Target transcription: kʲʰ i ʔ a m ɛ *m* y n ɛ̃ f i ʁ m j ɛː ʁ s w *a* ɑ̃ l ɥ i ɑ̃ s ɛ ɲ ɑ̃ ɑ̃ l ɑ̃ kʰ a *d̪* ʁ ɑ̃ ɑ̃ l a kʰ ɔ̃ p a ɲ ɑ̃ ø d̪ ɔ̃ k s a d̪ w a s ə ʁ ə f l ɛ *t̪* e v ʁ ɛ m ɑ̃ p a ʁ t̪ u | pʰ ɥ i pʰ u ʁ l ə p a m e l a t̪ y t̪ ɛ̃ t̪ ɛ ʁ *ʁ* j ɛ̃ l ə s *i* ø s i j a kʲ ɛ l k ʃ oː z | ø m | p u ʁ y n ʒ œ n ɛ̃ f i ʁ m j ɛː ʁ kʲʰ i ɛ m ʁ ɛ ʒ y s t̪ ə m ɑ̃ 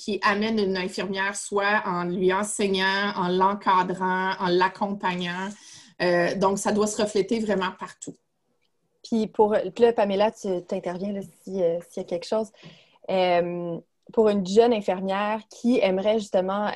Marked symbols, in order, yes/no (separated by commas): no, yes, yes, yes, no, yes